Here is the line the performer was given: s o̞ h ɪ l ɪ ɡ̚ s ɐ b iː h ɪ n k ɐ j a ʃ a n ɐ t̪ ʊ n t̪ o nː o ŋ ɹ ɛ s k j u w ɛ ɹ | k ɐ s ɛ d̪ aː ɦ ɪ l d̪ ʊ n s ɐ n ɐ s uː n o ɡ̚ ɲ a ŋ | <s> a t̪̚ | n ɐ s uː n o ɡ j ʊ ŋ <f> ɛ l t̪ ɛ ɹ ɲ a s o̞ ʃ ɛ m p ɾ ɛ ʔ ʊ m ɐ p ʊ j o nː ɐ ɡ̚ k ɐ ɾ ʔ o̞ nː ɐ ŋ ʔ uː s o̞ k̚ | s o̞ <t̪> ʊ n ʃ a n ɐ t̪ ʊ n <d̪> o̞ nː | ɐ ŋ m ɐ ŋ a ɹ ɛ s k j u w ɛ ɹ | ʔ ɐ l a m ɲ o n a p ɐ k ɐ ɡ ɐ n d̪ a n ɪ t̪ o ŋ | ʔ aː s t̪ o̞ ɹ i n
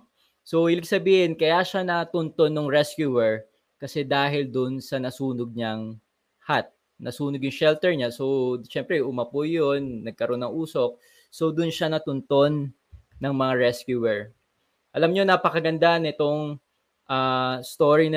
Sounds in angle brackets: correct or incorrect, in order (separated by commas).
incorrect, incorrect, incorrect, incorrect